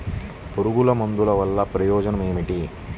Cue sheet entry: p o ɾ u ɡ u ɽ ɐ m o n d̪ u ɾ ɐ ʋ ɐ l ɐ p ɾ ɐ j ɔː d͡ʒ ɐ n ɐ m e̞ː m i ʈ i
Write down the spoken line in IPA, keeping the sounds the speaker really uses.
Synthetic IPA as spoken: p o ɾ u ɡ u l ɐ m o n d̪ u l ɐ ʋ ɐ lː ɐ p ɾ ɐ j ɔː d͡ʒ ɐ n ɐ m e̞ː m i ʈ i